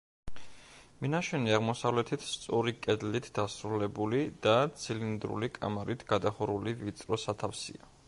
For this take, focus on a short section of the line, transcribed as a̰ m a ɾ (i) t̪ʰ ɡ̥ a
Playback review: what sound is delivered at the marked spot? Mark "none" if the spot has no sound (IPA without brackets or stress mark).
i